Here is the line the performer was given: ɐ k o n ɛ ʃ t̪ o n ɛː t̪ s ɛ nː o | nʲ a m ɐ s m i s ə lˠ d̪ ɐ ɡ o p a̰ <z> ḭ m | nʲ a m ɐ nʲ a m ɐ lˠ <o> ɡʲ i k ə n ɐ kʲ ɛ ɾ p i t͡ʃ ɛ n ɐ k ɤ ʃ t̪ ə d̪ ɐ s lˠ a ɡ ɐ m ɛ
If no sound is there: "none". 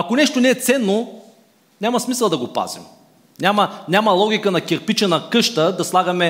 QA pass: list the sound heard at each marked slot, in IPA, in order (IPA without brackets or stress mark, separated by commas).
z, ɔ